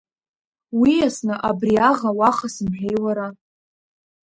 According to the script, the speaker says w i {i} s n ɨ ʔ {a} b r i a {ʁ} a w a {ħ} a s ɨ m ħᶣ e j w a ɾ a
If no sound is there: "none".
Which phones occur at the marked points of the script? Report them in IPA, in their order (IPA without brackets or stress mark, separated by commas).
a, a, ʁ, χ